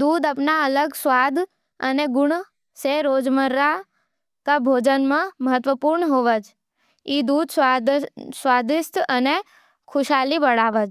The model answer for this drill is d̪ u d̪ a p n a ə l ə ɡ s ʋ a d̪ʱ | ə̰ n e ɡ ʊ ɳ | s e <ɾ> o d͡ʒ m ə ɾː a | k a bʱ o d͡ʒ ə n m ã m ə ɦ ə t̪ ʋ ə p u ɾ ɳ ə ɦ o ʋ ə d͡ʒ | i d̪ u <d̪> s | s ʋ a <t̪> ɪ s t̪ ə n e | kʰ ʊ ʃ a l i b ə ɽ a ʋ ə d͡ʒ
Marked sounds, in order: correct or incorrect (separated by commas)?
correct, correct, incorrect